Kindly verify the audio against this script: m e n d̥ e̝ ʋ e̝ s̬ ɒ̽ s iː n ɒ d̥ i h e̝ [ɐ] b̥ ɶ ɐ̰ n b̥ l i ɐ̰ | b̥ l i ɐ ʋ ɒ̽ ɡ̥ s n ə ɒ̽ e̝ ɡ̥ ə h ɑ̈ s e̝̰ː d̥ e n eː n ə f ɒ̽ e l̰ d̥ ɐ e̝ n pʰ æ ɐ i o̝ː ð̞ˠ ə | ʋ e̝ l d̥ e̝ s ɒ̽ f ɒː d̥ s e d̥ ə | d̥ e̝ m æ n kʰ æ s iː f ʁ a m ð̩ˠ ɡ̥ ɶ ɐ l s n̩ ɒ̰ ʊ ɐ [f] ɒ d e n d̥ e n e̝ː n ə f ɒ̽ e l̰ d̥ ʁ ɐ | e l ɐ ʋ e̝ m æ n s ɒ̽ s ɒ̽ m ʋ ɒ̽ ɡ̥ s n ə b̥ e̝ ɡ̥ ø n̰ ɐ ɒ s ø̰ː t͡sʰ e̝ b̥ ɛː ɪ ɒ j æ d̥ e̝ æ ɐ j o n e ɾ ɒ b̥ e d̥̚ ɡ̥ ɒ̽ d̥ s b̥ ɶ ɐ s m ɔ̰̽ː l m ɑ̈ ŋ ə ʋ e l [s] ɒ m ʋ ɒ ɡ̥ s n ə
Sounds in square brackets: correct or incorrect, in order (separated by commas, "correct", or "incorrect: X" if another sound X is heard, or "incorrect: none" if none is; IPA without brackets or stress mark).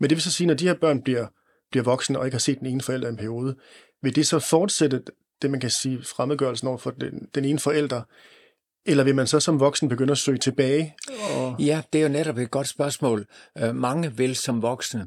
correct, correct, correct